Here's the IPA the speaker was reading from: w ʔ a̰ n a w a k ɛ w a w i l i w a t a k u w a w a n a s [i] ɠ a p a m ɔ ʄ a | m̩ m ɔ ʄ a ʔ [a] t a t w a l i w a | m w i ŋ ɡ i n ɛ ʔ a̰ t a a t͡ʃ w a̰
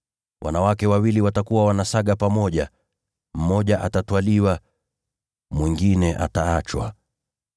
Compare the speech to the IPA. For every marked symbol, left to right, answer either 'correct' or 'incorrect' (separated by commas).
incorrect, correct